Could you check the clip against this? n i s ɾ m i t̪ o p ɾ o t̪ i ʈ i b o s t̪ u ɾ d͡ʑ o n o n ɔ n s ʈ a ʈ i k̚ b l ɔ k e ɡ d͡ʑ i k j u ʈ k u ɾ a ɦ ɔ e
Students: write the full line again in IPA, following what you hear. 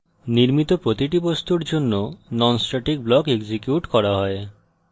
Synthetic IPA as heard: n i ɾ m i t̪ o p ɾ o t̪ i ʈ i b o s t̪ u ɾ d͡ʑ o nː o n ɔ n s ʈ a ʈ i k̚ b l ɔ k e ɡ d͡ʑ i k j u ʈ k ɔ ɾ a ɦ ɔ e